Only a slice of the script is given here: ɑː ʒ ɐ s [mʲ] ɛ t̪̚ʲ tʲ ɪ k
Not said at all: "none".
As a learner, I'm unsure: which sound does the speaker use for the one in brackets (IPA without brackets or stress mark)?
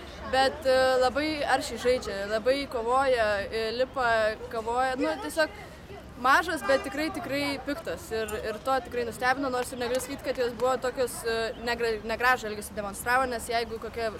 bʲ